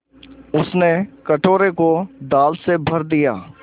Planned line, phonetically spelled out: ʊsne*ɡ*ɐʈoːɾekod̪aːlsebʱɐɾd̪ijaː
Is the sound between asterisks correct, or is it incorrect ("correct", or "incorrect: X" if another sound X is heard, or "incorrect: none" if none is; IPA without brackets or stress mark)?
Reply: incorrect: k